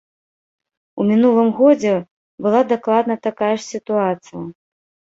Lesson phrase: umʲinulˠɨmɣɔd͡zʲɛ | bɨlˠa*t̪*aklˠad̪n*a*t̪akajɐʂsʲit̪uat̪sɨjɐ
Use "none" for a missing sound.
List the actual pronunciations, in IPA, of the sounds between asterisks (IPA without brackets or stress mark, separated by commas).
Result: d̪, ɐ